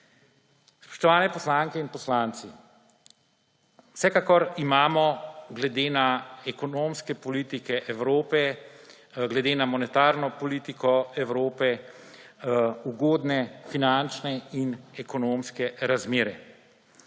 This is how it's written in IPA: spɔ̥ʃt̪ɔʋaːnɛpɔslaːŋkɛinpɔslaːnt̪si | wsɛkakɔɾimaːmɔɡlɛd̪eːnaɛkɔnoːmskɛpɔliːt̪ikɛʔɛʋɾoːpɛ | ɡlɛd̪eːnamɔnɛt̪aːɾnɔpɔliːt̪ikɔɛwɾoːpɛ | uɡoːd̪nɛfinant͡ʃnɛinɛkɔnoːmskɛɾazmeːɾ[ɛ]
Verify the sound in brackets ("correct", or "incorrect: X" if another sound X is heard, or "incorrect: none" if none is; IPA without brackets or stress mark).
correct